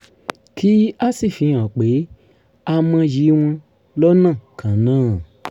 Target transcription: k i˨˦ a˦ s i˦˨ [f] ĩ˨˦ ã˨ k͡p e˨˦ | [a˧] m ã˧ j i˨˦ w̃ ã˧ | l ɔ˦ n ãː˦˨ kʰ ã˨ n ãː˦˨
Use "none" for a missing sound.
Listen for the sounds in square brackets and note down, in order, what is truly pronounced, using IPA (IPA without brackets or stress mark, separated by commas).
f, a˧